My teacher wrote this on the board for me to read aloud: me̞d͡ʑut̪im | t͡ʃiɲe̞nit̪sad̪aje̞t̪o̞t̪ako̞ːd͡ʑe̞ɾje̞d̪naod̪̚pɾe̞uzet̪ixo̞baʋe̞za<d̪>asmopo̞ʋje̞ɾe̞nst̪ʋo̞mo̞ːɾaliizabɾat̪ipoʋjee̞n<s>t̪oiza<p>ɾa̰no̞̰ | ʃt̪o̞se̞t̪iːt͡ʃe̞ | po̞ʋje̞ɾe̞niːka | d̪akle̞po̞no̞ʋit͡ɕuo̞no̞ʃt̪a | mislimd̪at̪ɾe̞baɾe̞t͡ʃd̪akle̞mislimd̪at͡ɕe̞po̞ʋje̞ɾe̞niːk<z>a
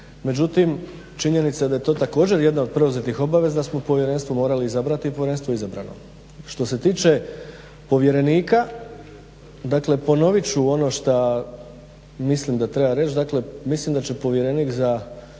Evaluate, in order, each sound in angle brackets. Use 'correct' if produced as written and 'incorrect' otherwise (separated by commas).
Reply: correct, correct, incorrect, correct